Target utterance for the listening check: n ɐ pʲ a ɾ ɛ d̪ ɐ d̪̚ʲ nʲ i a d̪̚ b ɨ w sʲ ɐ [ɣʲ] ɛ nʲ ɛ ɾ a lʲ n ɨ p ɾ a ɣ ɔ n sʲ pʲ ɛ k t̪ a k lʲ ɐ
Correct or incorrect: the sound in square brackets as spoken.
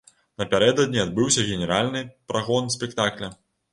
correct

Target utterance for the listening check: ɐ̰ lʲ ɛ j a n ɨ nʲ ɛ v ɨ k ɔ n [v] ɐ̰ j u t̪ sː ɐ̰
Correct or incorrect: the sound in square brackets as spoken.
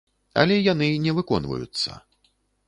correct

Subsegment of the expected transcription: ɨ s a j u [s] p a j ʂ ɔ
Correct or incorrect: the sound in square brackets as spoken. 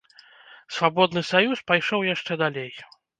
correct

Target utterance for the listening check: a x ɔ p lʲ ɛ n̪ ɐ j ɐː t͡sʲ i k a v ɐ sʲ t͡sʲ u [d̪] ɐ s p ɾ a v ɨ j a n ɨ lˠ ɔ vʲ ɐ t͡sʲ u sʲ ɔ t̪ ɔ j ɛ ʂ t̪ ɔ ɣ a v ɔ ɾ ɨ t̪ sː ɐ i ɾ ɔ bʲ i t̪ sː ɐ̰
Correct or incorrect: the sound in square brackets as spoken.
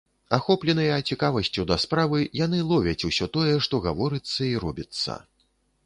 correct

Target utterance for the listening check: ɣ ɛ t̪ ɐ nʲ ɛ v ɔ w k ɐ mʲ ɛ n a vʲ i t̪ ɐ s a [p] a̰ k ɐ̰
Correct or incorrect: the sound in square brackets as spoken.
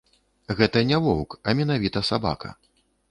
incorrect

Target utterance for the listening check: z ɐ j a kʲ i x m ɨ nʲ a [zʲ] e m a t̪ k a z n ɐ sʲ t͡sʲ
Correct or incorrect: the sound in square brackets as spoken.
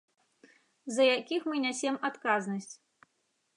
incorrect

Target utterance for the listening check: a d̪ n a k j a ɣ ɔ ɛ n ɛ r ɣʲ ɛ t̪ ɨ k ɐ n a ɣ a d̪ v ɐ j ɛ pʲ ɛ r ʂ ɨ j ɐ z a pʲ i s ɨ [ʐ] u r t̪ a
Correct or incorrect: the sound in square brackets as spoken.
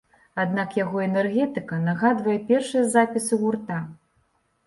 incorrect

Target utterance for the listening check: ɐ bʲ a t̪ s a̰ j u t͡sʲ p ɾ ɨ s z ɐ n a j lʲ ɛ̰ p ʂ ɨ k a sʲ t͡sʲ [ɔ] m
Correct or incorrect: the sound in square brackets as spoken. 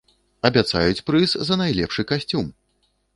incorrect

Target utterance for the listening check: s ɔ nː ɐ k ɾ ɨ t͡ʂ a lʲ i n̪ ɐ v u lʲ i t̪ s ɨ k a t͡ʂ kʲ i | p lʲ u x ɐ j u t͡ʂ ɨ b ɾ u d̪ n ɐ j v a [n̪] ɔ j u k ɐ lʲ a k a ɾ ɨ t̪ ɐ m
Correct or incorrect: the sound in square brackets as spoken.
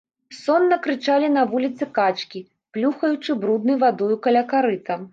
incorrect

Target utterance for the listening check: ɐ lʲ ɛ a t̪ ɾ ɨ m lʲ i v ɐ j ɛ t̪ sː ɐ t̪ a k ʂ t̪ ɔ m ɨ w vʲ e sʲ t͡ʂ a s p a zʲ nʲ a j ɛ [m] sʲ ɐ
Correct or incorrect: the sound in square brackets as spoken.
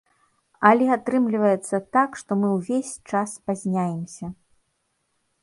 correct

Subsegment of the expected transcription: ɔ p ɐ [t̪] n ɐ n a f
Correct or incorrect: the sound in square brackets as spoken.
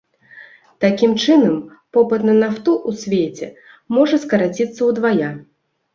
correct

